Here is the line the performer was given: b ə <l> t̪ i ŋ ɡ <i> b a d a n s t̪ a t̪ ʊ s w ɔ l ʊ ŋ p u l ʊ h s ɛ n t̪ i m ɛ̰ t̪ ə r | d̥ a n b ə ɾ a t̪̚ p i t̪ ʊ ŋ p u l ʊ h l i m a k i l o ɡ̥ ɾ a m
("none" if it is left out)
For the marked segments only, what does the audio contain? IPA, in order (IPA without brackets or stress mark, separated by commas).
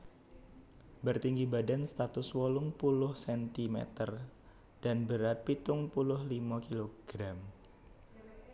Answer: r, i